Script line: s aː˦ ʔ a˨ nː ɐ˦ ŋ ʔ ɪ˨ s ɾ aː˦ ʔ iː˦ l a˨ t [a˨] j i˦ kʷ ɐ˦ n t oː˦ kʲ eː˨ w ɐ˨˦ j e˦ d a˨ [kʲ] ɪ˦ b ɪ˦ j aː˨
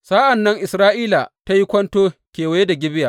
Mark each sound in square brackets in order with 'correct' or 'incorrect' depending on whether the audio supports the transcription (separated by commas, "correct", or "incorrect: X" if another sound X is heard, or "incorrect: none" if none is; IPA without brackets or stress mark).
incorrect: a˦, incorrect: ɡʲ